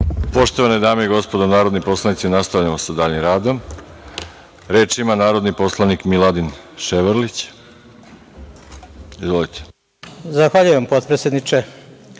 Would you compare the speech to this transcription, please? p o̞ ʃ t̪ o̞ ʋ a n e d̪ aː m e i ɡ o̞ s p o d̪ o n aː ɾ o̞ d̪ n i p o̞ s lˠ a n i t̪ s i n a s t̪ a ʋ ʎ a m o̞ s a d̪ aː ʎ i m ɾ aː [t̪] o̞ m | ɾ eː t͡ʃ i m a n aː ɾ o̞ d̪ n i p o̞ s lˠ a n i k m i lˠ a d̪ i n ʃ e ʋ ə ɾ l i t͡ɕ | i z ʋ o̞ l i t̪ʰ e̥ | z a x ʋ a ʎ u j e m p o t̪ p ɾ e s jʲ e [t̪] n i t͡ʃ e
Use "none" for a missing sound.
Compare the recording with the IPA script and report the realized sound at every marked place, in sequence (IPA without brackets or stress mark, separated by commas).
d̪, d̪